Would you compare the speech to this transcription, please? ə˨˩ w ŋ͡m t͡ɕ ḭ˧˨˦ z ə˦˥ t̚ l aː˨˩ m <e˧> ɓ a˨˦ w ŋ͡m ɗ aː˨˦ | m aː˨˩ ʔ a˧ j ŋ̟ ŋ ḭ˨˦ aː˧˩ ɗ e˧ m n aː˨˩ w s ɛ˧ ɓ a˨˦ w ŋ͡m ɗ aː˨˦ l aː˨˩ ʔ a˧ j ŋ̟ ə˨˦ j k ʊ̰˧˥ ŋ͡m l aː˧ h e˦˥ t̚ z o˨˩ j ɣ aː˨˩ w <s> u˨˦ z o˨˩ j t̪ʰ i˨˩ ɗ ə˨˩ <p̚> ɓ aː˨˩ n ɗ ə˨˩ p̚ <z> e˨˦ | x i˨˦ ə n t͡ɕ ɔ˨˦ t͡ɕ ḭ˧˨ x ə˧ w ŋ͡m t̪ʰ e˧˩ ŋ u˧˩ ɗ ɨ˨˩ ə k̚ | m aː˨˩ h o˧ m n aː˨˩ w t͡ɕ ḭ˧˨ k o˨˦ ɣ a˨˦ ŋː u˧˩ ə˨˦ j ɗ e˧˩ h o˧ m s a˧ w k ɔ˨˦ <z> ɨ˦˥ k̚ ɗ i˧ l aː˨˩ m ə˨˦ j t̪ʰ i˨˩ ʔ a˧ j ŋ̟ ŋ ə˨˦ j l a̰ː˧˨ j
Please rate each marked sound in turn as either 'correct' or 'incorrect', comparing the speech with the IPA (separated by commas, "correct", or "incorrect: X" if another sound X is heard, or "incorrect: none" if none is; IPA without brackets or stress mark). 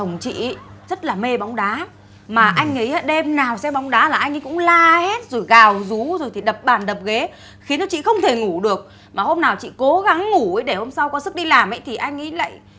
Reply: correct, incorrect: z, correct, incorrect: ɣ, incorrect: s